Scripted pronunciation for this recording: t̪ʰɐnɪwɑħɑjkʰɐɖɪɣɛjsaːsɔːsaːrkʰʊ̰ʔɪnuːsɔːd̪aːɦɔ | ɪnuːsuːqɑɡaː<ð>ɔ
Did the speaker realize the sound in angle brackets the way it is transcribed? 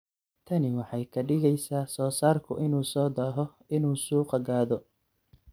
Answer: yes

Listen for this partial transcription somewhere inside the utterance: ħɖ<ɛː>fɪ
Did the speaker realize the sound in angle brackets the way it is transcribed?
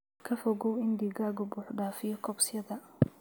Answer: no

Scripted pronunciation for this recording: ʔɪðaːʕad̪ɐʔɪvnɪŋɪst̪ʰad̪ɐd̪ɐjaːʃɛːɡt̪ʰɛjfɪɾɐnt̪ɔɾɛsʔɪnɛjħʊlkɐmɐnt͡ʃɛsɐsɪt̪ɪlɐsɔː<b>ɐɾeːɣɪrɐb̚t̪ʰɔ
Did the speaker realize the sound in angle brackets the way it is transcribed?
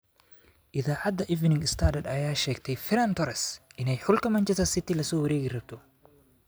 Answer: no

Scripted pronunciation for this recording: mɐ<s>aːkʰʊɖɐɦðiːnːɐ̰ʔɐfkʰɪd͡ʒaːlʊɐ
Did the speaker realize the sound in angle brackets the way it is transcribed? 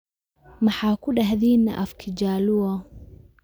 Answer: no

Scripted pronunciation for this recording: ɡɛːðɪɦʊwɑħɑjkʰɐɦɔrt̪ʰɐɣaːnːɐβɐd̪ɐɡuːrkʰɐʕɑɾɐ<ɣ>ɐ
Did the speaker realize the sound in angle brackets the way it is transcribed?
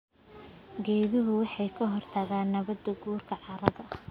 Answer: no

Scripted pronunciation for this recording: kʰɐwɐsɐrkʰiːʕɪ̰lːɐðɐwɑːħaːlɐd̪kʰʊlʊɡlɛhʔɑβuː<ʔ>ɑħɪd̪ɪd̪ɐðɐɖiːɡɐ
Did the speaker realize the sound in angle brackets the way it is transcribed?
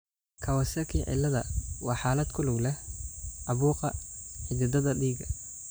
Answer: no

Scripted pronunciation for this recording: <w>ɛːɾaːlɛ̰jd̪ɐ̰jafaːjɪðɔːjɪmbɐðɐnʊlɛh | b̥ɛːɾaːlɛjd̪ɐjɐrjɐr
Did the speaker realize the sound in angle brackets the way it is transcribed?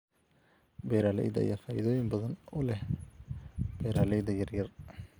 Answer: no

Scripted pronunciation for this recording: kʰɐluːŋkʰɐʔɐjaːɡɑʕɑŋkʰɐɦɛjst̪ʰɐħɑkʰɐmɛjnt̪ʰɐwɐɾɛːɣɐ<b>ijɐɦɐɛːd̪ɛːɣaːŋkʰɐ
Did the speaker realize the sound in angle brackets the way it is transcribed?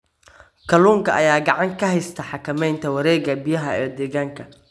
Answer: yes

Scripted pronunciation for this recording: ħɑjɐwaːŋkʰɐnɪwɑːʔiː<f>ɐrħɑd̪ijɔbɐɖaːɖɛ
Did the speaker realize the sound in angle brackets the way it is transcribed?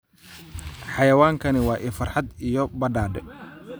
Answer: yes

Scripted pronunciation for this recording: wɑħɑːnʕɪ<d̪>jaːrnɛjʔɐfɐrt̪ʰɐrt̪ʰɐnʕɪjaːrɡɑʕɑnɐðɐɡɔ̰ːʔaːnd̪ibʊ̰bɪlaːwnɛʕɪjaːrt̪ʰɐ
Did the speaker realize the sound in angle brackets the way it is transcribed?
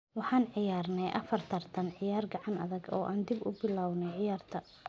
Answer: no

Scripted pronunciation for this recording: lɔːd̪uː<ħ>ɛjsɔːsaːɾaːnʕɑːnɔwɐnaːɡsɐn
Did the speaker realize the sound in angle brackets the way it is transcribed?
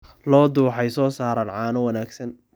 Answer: yes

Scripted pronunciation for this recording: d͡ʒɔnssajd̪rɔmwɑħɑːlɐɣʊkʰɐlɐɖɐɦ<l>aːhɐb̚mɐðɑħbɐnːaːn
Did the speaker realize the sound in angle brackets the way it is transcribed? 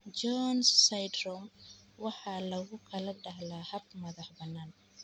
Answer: yes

